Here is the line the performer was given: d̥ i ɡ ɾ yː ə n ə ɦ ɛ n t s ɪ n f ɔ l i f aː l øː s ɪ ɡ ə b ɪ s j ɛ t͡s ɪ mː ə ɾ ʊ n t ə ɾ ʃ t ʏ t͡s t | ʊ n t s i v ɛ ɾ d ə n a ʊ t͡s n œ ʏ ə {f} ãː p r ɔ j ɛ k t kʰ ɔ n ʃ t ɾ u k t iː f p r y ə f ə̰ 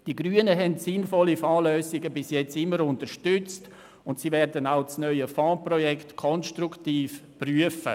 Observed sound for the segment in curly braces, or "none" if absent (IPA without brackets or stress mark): f